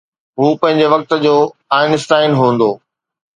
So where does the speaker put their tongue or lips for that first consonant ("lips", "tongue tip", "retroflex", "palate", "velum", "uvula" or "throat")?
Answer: throat